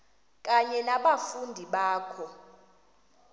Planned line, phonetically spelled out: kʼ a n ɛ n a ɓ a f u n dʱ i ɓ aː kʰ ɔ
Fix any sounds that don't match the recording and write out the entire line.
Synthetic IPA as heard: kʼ a ɲ ɛ n a ɓ a f u n dʱ i ɓ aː kʰ ɔ

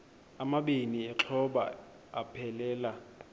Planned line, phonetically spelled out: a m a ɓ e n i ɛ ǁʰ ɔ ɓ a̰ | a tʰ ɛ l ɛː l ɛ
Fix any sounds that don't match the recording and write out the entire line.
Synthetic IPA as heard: a m a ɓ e n i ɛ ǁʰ ɔ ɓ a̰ | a pʰ ɛ l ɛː l a

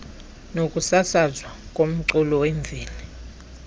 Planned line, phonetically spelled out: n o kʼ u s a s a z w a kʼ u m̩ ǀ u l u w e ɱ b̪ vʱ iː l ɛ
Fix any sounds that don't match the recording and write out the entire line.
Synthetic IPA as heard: n o kʼ u s a s a z w a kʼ o m̩ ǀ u l ɔ w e ɱ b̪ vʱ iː l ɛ

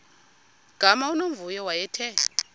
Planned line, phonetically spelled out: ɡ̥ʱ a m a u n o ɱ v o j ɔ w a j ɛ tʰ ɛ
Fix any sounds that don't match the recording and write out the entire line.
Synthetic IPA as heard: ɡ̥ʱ a m a u n o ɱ v u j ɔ w a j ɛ tʰ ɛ

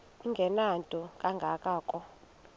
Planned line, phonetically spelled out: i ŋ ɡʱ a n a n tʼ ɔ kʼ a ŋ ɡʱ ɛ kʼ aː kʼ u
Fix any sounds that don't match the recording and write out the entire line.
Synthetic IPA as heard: i ŋ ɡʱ ɛ n a n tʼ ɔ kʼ a ŋ ɡʱ a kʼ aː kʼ ɔ

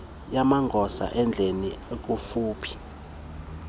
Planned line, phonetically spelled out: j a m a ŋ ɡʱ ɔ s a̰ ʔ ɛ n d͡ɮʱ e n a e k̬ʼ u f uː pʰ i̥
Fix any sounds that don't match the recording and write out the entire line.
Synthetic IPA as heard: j a m a ŋ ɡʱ ɔ s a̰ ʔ ɛ n d͡ɮʱ e n i e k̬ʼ u f uː pʰ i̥

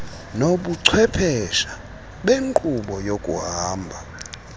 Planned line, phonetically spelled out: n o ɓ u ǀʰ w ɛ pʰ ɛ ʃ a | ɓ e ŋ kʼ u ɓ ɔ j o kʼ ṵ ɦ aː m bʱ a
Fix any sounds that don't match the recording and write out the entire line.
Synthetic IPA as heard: n o ɓ u ǀʰ w ɛ pʰ ɛ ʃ a | ɓ e ŋ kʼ u ɓ ɔ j o kʼ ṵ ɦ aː m bʱ a

